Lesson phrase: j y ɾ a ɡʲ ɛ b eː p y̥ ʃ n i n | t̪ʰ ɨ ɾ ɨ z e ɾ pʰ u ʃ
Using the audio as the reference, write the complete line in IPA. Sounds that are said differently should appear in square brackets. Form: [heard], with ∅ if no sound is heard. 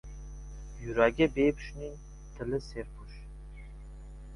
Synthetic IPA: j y ɾ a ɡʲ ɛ b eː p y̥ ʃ n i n | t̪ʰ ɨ [l] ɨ [s] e ɾ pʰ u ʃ